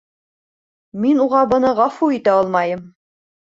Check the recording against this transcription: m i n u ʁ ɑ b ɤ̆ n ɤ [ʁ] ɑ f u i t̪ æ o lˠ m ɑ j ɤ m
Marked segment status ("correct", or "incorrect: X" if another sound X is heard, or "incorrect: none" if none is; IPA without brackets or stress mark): correct